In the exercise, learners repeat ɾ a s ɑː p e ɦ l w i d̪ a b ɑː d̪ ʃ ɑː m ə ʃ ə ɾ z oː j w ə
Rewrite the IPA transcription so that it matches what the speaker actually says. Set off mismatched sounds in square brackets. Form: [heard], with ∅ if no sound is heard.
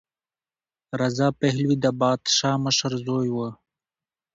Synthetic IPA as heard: ɾ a [z] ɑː p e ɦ l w i d̪ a b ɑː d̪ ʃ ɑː m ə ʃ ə ɾ z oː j w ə